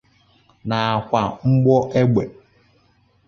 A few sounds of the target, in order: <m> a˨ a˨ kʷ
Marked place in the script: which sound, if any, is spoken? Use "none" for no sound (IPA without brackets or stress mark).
n